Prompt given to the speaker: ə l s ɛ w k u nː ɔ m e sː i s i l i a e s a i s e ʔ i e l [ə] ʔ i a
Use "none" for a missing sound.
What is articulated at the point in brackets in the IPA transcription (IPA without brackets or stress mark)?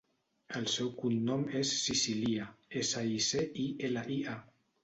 a